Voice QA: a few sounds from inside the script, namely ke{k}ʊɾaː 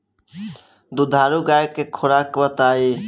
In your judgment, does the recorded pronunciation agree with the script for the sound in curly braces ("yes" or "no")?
no